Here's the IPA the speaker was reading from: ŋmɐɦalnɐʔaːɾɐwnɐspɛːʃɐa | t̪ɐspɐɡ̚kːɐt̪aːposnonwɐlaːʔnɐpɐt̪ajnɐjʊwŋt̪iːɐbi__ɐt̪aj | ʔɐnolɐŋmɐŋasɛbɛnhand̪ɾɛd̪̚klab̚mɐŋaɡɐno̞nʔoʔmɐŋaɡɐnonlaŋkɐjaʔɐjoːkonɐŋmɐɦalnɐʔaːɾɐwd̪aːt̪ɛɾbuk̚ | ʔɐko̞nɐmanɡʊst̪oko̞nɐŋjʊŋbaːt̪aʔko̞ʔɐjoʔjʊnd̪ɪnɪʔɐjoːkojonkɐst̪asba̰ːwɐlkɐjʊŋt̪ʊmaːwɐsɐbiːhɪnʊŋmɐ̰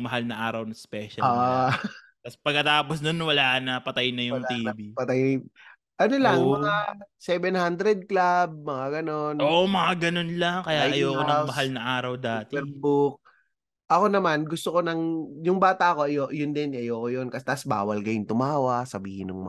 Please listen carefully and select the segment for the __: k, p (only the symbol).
p